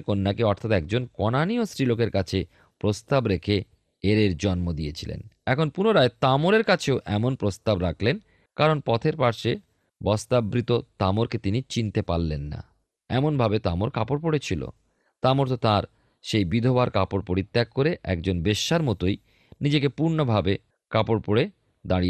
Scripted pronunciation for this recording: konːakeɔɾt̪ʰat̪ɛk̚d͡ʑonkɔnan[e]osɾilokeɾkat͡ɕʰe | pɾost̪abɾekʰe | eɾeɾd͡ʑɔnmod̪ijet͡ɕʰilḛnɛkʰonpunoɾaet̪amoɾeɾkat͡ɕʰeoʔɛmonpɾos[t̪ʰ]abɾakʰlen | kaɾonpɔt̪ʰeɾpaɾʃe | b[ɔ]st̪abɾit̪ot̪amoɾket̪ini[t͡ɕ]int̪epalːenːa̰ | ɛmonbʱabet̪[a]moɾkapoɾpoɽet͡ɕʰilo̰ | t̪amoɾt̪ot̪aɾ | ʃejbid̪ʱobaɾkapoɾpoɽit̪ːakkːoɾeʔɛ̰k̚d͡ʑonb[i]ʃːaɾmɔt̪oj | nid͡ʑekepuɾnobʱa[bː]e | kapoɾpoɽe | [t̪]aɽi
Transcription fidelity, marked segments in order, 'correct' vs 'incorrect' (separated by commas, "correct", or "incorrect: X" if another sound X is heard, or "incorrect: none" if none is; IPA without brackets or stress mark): incorrect: i, incorrect: t̪, correct, correct, correct, incorrect: e, incorrect: b, incorrect: d̪